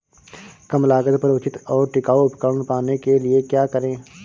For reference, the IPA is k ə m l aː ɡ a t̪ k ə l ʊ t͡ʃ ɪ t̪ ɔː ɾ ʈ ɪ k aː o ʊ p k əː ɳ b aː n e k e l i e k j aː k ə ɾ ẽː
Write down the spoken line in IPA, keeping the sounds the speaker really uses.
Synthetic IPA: k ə m l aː ɡ ə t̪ p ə ɾ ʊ t͡ʃ ɪ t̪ ɔː ɾ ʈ ɪ k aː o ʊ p k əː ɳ p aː n e k e l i e k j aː k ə ɾ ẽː